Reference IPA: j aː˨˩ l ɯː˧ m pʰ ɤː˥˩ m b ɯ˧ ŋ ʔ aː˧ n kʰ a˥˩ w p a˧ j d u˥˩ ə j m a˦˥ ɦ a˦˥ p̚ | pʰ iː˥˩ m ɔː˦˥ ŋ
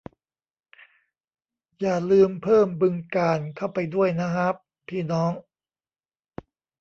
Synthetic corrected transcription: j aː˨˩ l ɯː˧ m pʰ ɤː˥˩ m b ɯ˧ ŋ k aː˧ n kʰ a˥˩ w p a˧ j d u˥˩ ə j n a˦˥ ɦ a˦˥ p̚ | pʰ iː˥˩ n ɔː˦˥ ŋ

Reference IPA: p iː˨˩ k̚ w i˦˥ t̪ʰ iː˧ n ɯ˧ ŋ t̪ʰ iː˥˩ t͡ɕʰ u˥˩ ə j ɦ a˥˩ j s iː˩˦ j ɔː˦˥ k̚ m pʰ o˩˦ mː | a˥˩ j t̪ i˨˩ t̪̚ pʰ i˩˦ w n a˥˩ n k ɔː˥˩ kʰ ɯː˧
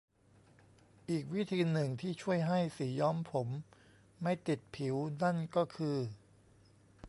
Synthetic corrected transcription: ʔ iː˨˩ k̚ w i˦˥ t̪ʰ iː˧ n ɯ˨˩ ŋ t̪ʰ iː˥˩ t͡ɕʰ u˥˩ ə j ɦ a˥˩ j s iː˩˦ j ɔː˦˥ m pʰ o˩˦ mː | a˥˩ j t̪ i˨˩ t̪̚ pʰ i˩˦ w n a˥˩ n k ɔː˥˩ kʰ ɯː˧

